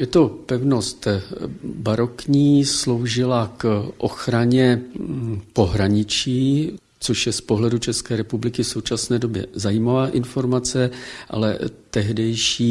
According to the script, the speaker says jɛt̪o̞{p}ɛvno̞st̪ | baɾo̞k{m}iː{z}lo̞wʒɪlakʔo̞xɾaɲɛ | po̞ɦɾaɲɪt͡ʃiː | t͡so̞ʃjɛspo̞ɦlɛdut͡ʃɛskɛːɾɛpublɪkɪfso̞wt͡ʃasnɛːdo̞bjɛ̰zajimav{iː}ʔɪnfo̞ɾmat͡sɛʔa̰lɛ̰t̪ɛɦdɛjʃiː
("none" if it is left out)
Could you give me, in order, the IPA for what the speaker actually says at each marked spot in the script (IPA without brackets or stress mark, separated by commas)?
p, ɲ, s, aː